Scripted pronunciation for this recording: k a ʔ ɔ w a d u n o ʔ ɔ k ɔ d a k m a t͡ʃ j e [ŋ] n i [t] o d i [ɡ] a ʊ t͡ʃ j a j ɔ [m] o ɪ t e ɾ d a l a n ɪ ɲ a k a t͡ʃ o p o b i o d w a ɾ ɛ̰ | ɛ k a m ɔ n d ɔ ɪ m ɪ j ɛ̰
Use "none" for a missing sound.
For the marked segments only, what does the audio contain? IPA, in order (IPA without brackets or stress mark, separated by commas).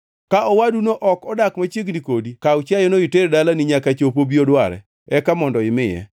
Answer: ɡ, k, k, n